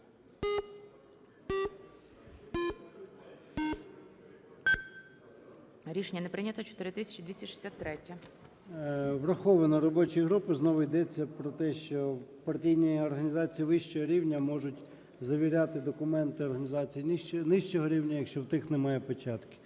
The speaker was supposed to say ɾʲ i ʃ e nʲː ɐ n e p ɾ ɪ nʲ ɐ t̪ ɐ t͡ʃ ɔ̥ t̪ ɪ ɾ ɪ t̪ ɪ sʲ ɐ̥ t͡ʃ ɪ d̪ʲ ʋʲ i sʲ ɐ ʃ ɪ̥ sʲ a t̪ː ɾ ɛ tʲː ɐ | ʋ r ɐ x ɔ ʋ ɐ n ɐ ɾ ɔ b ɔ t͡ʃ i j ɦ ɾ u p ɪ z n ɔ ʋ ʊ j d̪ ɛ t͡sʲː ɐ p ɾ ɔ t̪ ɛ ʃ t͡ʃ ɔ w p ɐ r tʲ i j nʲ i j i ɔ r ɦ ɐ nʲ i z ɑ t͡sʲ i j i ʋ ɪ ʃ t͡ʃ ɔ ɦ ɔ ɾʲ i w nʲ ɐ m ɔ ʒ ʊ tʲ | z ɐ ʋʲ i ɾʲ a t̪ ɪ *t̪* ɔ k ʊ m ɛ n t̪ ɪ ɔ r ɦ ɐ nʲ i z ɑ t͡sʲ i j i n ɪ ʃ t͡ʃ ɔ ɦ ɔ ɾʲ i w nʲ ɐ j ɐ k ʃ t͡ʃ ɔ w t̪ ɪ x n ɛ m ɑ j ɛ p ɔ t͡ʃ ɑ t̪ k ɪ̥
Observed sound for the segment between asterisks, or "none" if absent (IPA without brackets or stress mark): d̪